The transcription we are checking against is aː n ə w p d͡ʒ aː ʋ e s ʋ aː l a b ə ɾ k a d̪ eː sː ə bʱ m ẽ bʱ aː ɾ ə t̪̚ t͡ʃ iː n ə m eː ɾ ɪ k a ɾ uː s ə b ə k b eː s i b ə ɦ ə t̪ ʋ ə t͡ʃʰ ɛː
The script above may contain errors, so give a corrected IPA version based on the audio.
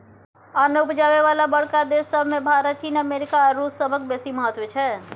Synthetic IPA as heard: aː n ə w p d͡ʒ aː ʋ e ʋ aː l a b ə ɽ k a d̪ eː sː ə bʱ m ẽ bʱ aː ɾ ə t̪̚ t͡ʃ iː n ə m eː ɾ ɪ k a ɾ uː s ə b ə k b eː s i m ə ɦ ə t̪ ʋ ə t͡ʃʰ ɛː